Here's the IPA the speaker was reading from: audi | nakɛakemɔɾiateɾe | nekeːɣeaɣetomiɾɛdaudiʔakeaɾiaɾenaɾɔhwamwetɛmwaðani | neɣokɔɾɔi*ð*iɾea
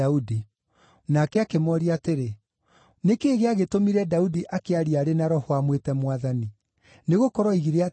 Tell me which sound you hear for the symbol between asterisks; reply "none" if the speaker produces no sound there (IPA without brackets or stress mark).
ɣ